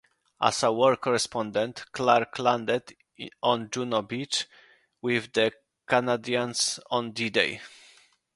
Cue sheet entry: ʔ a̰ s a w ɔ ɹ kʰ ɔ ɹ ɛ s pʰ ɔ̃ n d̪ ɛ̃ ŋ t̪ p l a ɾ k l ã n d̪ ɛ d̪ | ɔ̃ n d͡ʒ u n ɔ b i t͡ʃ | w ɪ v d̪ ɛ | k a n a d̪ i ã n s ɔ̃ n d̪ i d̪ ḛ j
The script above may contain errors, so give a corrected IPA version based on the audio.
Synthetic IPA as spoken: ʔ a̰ s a w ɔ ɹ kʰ ɔ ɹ ɛ s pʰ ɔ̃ n d̪ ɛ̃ n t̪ k l a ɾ k l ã n d̪ ɛ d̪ | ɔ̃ n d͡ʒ u n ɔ b i t͡ʃ | w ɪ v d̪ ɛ | k a n a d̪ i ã n s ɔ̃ n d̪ i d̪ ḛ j